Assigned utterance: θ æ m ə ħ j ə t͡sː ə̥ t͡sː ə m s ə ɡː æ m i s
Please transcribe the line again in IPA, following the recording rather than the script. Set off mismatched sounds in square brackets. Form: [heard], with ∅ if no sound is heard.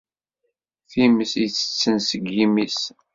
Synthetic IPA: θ [i] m ə [s] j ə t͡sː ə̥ t͡sː ə [n] s ə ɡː [i] m i s